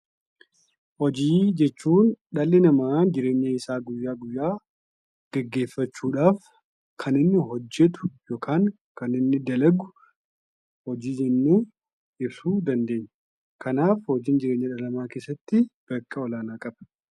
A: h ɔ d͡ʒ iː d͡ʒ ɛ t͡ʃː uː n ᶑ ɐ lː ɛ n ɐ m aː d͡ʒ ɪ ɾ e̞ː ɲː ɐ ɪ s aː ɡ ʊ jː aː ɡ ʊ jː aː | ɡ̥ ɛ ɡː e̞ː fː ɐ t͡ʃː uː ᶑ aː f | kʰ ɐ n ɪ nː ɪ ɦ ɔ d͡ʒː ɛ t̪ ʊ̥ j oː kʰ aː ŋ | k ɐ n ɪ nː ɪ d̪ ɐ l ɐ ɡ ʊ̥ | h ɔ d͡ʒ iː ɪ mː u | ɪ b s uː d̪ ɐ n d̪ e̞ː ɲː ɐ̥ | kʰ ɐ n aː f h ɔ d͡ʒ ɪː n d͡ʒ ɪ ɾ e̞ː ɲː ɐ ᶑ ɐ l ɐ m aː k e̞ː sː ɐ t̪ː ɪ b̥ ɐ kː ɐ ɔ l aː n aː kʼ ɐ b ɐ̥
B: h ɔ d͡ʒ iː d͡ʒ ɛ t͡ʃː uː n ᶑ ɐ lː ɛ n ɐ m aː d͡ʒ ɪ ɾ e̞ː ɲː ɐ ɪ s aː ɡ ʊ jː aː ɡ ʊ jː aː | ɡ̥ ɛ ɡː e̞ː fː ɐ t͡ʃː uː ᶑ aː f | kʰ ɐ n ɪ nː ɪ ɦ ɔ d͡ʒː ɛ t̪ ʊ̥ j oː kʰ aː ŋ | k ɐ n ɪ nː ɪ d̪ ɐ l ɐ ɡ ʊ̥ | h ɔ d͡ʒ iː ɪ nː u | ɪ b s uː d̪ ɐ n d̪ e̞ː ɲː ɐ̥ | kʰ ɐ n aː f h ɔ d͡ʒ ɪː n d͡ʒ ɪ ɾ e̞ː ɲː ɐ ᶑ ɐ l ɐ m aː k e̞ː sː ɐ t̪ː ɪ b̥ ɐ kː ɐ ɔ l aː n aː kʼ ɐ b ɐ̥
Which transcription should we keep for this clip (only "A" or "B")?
B